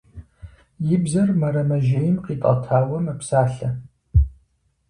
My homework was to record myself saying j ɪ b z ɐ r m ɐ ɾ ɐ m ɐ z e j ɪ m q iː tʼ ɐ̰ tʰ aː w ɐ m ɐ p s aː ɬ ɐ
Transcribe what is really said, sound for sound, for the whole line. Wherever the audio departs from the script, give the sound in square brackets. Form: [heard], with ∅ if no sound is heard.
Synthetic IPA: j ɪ b z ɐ r m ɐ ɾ ɐ m ɐ [ʒ] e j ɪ m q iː tʼ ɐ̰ tʰ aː w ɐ m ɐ p s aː ɬ ɐ